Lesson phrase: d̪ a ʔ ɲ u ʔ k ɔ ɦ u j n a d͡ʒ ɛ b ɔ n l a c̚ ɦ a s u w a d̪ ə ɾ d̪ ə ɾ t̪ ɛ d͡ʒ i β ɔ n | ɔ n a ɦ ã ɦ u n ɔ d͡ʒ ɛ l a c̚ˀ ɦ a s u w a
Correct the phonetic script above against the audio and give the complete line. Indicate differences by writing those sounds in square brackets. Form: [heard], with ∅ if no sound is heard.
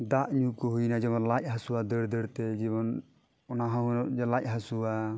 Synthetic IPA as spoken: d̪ a ʔ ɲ u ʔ k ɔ ɦ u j n a d͡ʒ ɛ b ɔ n l a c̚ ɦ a s u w a d̪ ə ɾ d̪ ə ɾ t̪ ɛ d͡ʒ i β ɔ n | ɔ n a ɦ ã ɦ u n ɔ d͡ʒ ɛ l a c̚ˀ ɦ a s u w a